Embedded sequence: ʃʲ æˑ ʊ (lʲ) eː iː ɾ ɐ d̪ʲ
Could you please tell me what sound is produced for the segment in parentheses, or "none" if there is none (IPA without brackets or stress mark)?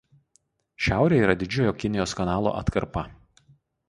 ɾʲ